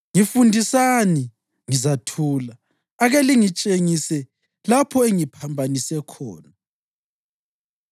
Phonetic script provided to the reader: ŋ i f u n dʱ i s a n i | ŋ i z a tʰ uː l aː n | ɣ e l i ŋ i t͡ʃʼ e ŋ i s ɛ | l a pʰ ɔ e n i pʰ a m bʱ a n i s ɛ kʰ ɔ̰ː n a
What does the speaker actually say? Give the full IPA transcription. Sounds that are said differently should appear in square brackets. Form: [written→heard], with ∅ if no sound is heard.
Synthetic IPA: ŋ i f u n dʱ i s a n i | ŋ i z a tʰ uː l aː [n→∅] | ɣ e l i ŋ i t͡ʃʼ e ŋ i s ɛ | l a pʰ ɔ e [n→ŋ] i pʰ a m bʱ a n i s ɛ kʰ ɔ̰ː n a